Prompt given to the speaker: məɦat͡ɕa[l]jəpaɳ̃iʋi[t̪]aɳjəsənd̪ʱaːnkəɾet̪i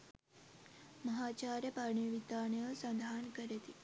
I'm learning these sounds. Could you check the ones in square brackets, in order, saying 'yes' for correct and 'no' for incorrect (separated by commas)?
no, yes